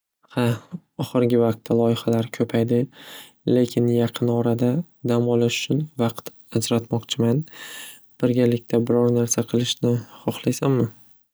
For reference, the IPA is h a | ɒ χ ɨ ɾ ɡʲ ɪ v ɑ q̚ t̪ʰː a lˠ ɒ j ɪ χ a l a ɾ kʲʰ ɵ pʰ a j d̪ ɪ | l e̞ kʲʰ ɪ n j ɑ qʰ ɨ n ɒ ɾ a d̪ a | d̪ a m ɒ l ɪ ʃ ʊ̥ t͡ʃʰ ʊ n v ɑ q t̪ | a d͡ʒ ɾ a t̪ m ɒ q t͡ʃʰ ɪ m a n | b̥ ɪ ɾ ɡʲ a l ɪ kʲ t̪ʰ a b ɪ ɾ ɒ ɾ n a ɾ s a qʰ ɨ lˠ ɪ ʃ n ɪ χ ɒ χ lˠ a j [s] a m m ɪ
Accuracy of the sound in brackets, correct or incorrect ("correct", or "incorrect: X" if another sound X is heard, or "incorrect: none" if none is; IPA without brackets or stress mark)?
correct